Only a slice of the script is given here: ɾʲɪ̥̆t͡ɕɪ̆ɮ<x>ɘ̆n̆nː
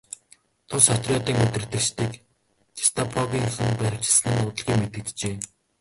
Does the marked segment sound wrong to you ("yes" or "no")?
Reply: yes